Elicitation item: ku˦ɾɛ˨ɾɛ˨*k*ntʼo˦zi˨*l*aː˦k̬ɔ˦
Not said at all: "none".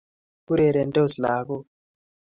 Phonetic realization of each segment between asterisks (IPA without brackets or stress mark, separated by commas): none, l